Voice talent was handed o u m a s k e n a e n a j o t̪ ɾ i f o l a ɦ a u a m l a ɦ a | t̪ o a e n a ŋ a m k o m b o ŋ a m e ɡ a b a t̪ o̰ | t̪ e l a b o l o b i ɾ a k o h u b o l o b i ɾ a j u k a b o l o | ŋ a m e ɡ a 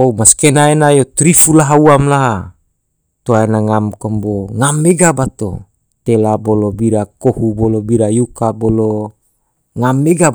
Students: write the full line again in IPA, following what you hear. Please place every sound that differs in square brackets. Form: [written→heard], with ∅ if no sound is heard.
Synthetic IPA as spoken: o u m a s k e n a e n a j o t̪ ɾ i f [o→u] l a ɦ a u a m l a ɦ a | t̪ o a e n a ŋ a m k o m b o ŋ a m e ɡ a b a t̪ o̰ | t̪ e l a b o l o b i ɾ a k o h u b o l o b i ɾ a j u k a b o l o | ŋ a m e ɡ a